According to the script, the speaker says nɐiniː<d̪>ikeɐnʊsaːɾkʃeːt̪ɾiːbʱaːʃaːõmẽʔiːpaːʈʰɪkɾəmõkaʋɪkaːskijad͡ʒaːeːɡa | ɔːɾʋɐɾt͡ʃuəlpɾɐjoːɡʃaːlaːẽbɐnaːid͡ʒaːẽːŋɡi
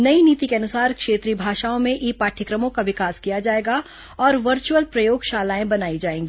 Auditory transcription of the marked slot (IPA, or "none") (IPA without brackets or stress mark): t̪